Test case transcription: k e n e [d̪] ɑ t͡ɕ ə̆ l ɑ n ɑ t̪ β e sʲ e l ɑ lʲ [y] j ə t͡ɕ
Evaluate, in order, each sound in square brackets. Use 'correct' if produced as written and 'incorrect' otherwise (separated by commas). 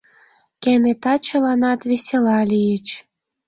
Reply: incorrect, incorrect